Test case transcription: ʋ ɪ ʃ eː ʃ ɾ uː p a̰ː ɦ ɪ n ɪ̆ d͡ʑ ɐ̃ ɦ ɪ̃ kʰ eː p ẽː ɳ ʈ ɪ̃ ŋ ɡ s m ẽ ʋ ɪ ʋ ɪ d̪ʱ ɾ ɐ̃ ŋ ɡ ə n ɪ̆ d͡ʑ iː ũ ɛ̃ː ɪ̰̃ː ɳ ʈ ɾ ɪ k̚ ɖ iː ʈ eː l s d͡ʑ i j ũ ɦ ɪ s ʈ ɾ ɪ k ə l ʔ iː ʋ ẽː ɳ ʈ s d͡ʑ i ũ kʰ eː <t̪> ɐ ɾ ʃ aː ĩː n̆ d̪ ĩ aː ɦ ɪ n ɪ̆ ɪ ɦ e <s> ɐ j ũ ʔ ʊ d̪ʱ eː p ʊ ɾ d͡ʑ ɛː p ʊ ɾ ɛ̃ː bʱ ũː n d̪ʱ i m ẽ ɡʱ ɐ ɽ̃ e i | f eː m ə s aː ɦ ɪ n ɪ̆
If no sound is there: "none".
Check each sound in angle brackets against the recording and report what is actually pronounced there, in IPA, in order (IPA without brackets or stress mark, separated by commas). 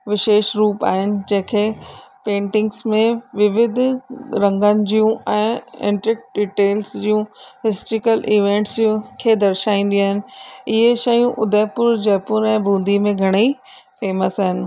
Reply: d̪, ʃ